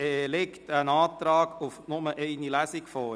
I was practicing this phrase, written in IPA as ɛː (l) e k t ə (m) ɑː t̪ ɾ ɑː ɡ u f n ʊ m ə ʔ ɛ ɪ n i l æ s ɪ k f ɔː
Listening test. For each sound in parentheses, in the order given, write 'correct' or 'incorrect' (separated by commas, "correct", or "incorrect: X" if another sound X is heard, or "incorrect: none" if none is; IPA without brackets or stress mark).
correct, incorrect: n